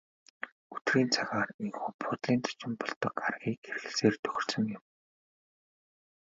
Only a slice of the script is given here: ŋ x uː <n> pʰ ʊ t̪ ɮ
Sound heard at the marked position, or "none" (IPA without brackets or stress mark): none